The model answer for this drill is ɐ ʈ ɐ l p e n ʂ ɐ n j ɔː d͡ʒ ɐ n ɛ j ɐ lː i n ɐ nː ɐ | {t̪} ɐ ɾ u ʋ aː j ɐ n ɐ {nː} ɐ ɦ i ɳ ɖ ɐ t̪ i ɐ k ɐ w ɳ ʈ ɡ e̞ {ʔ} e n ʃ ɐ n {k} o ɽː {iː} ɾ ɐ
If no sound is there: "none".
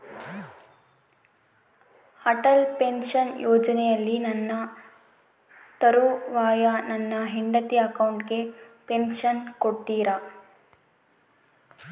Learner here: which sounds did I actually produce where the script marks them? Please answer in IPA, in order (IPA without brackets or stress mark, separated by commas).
t̪, nː, p, k, iː